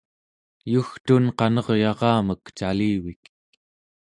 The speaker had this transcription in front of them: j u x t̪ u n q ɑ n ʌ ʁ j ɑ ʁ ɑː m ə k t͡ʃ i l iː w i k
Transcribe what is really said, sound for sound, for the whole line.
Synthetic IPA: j u x t̪ u n q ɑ n ʌ ʁ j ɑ ʁ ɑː m ə k t͡ʃ a l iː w i k